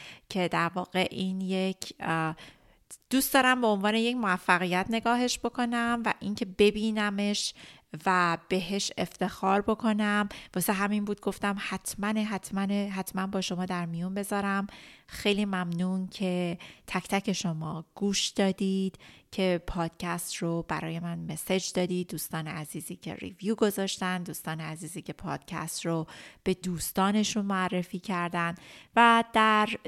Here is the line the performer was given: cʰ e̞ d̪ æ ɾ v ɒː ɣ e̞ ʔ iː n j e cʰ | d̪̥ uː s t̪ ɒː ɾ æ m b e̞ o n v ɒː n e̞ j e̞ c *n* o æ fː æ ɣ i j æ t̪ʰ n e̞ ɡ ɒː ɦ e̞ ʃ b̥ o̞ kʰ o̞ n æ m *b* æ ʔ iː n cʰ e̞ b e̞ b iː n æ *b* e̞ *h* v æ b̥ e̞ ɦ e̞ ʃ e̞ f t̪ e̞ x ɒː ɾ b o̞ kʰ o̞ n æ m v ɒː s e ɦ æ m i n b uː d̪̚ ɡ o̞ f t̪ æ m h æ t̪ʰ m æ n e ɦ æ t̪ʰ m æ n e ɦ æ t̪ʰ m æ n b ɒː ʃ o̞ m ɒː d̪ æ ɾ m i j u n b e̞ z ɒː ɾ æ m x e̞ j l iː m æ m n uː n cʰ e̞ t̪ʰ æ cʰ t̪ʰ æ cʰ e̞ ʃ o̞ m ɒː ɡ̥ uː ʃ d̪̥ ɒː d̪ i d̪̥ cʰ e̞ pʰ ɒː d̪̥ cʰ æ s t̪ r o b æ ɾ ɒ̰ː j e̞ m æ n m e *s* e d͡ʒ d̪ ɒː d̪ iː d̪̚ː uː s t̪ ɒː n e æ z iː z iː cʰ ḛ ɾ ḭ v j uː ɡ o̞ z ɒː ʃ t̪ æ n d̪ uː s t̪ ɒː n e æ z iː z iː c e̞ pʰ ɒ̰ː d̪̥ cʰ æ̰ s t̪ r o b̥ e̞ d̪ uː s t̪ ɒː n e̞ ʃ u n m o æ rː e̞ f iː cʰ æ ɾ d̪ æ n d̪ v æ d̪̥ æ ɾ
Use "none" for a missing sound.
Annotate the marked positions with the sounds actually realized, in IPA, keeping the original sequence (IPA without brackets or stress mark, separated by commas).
m, v, m, ʃ, s